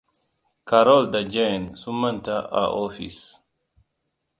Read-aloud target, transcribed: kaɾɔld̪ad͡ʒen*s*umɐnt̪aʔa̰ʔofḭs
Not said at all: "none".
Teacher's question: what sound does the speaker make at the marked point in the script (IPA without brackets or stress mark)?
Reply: s